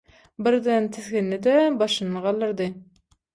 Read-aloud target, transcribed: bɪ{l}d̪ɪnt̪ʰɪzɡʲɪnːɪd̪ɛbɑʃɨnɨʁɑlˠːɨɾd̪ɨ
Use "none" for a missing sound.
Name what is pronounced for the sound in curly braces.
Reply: ɾ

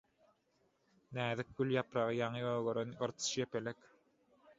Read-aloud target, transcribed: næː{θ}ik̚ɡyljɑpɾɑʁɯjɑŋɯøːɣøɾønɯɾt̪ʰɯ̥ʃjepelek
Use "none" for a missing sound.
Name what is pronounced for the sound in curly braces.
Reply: ð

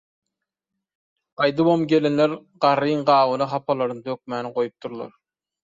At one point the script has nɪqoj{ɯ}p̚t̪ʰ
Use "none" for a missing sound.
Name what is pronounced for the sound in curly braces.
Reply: u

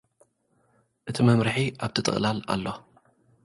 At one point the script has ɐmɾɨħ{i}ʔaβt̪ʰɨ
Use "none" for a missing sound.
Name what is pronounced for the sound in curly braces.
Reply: i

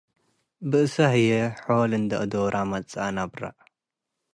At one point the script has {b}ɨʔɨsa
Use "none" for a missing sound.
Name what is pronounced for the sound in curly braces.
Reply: b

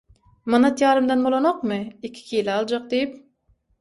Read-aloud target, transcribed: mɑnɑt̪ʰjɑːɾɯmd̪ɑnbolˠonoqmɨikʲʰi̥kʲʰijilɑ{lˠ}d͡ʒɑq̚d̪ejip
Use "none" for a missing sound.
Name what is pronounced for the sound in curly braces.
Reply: lˠ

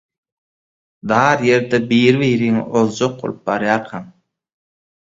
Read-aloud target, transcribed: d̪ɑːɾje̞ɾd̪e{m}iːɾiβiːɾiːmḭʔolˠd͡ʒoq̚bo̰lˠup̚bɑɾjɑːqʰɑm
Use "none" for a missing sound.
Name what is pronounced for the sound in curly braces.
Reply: b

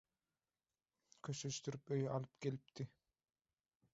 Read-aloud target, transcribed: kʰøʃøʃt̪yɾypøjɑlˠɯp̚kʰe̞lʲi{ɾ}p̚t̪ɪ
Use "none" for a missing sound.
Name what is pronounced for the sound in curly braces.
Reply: none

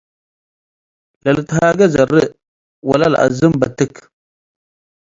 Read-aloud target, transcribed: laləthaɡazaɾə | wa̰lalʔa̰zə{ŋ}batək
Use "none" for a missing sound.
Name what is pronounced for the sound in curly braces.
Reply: m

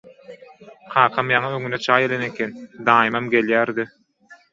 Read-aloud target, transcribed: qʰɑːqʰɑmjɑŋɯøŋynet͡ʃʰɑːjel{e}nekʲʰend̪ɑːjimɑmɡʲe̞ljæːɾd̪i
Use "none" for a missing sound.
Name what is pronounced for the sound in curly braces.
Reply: e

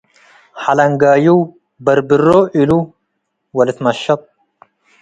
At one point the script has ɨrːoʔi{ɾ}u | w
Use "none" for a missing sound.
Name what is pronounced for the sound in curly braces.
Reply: l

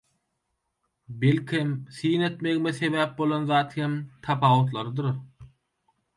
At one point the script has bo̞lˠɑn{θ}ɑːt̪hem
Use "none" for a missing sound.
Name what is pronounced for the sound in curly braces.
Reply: ð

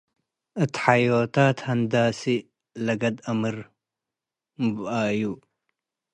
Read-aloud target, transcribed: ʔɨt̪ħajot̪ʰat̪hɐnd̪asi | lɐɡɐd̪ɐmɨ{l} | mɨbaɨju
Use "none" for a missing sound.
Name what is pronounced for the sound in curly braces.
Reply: ɾ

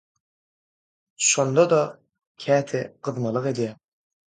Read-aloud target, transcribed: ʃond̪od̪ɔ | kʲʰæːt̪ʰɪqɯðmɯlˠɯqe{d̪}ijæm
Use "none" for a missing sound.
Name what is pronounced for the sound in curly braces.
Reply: d̪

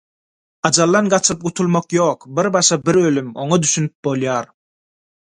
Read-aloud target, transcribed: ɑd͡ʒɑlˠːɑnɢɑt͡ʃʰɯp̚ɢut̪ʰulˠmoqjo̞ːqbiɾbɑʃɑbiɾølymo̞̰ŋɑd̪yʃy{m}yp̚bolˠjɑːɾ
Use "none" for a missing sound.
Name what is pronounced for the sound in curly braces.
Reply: n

